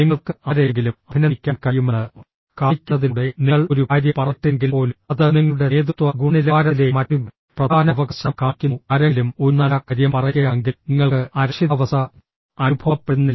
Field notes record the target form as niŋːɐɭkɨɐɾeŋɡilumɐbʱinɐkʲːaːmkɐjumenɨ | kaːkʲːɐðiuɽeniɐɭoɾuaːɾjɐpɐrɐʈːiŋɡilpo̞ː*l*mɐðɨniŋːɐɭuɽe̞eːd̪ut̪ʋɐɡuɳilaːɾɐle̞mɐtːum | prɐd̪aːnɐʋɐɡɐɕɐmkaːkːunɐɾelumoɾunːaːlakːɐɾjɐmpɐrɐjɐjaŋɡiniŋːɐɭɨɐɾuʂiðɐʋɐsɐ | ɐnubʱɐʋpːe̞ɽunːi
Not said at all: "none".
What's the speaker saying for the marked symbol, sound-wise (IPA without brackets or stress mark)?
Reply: l